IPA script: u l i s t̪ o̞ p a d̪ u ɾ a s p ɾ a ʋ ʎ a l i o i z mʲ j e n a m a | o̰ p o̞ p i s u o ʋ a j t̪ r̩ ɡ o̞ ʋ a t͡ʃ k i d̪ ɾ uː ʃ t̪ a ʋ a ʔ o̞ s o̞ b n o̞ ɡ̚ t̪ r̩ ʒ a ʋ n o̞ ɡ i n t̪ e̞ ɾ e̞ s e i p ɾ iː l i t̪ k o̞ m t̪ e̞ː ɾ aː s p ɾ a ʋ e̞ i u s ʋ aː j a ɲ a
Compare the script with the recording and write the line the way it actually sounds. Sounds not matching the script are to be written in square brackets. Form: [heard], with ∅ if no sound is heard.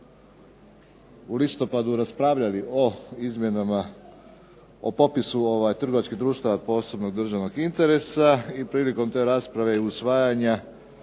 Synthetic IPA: u l i s t̪ o̞ p a d̪ u ɾ a s p ɾ a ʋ ʎ a l i o i z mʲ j e n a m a | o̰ p o̞ p i s u o ʋ a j t̪ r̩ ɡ o̞ ʋ a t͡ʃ k i d̪ ɾ uː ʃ t̪ a ʋ a [p] o̞ s o̞ b n o̞ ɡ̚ [d̪] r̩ ʒ a ʋ n o̞ ɡ i n t̪ e̞ ɾ e̞ s [a] i p ɾ iː l i [∅] k o̞ m t̪ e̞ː ɾ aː s p ɾ a ʋ e̞ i u s ʋ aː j a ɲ a